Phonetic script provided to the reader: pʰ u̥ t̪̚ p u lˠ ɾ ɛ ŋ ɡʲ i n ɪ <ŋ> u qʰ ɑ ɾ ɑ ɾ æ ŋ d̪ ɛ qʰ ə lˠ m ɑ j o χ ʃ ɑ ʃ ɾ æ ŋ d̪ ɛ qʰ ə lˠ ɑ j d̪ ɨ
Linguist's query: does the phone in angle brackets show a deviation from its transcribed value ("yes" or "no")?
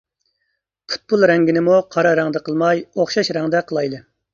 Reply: yes